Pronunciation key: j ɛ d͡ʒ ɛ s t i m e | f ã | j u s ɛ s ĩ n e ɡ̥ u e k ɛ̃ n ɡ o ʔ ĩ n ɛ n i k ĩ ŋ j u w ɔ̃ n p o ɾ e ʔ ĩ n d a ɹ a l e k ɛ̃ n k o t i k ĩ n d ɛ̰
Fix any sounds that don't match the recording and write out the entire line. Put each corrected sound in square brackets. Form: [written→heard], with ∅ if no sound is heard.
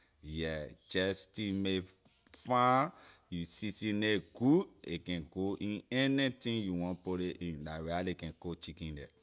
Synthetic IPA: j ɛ d͡ʒ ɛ s t i m e | f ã | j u s [ɛ→i] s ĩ n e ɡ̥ u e k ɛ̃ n ɡ o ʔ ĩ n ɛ n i [k→t] ĩ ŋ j u w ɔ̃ n p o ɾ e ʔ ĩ n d a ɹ a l e k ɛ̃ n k o [t→t͡ʃ] i k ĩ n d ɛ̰